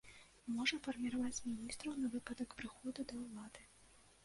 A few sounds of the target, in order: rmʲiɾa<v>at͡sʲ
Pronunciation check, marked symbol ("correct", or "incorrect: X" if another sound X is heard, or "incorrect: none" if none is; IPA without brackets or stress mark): correct